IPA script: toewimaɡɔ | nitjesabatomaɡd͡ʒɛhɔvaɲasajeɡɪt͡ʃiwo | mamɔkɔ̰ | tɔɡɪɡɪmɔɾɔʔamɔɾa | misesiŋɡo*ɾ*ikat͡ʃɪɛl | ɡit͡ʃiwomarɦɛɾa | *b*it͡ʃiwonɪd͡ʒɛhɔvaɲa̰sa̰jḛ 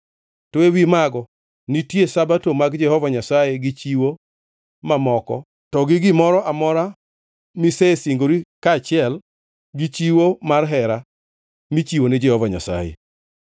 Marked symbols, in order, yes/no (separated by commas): yes, no